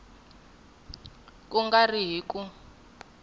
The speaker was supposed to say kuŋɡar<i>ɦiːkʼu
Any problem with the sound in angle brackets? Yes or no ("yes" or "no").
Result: no